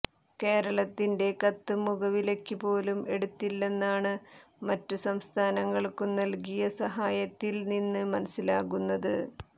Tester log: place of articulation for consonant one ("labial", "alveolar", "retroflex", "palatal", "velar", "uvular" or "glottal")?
velar